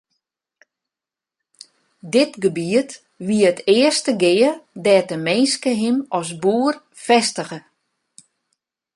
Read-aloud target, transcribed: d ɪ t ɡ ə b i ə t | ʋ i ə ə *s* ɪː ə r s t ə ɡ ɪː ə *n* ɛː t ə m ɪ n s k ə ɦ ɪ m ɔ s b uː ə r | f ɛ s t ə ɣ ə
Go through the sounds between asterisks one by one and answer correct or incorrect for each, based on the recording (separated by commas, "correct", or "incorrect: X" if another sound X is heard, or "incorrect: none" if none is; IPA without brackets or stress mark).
incorrect: t, incorrect: d